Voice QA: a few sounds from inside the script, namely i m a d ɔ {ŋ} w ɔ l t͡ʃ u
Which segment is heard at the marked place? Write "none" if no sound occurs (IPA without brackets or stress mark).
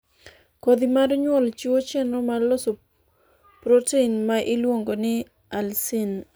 ɲ